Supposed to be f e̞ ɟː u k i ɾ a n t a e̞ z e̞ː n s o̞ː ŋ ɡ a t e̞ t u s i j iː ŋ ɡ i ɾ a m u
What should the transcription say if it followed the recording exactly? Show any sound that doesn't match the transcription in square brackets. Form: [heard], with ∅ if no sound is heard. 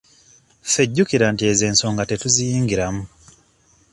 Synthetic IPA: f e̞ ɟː u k i ɾ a n t [i] e̞ z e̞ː n s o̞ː ŋ ɡ a t e̞ t u [z] i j iː ŋ ɡ i ɾ a m u